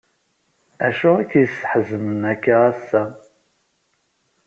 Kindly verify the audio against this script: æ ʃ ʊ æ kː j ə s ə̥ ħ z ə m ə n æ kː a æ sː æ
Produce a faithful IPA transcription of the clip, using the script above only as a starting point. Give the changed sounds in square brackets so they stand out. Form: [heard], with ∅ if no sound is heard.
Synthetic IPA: æ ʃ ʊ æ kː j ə s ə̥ ħ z ə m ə n æ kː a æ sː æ